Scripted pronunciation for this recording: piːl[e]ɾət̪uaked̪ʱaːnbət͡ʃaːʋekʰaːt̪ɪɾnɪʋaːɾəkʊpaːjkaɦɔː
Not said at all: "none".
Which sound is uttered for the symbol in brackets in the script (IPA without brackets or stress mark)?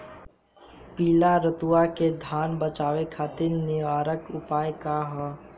a